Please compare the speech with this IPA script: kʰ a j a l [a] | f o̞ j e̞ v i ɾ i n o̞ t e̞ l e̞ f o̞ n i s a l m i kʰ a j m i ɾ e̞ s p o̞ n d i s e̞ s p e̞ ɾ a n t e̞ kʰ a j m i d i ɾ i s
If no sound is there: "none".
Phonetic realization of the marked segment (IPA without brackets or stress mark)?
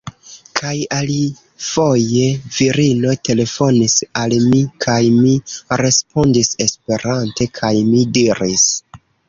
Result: i